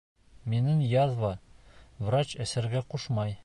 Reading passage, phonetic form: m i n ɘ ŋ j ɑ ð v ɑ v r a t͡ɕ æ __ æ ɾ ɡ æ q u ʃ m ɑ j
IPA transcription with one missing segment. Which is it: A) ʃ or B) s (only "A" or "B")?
B